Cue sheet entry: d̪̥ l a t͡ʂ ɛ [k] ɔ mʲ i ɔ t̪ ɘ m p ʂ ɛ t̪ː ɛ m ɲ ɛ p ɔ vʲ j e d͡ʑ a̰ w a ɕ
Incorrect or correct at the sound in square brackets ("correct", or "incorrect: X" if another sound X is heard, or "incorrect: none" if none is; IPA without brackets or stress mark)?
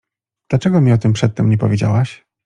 incorrect: ɡ